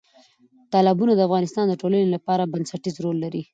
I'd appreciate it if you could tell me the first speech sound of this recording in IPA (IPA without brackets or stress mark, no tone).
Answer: t̪